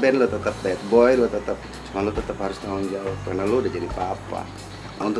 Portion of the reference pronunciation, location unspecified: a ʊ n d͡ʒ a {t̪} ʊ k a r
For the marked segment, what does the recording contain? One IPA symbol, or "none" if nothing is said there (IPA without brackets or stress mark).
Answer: none